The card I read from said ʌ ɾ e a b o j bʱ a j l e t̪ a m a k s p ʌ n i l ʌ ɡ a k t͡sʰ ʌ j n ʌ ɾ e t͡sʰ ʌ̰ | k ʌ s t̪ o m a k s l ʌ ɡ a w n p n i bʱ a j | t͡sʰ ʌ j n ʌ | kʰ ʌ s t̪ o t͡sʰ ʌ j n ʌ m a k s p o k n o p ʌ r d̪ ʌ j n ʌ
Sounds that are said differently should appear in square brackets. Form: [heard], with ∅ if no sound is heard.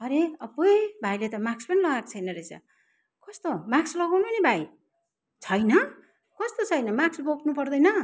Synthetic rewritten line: ʌ ɾ e [ʌ] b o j bʱ a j l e t̪ [ʌ] m a k s p ʌ n i l ʌ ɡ a k t͡sʰ ʌ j n ʌ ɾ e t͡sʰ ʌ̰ | k ʌ s t̪ o m a k s l ʌ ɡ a w n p n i bʱ a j | t͡sʰ ʌ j n ʌ | [k] ʌ s t̪ o t͡sʰ ʌ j n ʌ m a k s [b] o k n [u] p ʌ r d̪ ʌ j n ʌ